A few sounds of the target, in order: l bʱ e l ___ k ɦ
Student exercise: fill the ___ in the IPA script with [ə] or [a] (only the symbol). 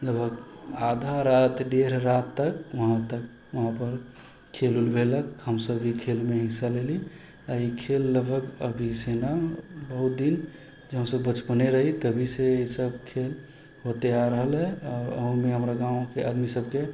ə